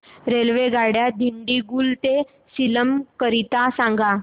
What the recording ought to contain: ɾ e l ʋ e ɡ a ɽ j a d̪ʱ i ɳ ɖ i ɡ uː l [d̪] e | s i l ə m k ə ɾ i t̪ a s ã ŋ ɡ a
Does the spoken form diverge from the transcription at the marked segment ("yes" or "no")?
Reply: yes